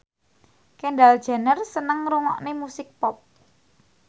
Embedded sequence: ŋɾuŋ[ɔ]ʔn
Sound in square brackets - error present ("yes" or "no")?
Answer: no